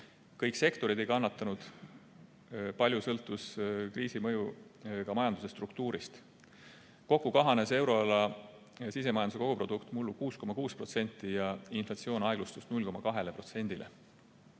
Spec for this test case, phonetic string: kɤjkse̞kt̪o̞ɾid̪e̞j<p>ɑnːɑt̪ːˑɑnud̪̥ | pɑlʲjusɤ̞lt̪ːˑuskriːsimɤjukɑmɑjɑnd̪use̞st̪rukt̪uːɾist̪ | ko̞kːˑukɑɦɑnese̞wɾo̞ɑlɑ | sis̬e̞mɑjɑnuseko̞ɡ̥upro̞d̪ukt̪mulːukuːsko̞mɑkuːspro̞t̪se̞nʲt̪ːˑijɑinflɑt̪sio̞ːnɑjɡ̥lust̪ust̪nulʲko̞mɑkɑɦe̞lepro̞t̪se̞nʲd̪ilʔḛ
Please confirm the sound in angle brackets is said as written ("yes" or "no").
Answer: no